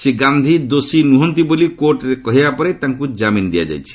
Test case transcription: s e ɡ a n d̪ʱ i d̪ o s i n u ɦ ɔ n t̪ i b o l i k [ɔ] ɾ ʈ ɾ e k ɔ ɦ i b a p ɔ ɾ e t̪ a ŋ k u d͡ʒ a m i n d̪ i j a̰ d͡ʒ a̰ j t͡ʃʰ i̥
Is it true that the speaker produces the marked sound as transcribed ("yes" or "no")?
no